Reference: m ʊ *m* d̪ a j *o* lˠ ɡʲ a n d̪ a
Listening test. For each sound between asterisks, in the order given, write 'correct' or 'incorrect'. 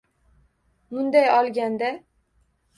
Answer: incorrect, incorrect

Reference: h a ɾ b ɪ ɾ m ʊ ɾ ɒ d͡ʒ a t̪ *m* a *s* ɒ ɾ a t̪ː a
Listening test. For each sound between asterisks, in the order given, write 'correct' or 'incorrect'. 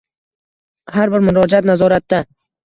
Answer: incorrect, incorrect

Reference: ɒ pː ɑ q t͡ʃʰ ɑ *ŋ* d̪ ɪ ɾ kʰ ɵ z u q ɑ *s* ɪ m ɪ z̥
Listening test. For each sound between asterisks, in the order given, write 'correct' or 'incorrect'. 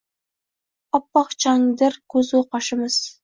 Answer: correct, incorrect

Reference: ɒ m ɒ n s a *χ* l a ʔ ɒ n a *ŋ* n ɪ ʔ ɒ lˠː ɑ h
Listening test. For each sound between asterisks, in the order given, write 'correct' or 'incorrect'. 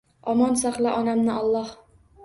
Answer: correct, incorrect

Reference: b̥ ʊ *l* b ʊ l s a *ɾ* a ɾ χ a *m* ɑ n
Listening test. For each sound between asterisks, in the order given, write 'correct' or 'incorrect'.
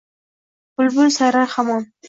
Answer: correct, correct, correct

